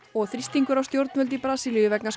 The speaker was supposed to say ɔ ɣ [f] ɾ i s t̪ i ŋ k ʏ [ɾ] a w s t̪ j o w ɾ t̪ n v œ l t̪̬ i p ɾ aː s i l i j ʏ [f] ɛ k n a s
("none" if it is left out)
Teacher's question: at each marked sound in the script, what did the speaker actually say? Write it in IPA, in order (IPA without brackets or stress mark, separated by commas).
θ, ɾ, v